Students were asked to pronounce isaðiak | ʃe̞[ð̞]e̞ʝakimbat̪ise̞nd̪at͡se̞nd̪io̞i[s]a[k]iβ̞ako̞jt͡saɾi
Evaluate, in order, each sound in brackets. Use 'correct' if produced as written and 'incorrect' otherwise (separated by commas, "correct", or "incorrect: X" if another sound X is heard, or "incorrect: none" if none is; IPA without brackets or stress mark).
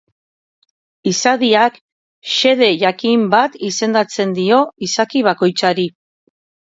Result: correct, correct, correct